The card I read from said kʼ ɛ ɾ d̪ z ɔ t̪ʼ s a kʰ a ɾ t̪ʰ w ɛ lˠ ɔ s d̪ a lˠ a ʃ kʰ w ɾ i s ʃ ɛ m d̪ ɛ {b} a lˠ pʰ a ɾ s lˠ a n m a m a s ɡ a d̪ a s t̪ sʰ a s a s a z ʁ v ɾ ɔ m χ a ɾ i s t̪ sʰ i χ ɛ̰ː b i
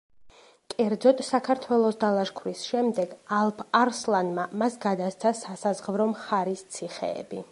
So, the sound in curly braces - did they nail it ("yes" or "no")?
no